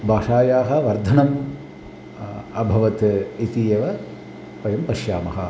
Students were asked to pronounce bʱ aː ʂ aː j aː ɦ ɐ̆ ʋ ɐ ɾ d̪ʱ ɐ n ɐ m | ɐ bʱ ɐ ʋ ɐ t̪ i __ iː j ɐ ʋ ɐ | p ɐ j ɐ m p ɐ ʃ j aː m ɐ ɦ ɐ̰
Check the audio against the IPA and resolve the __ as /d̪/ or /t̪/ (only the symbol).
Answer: t̪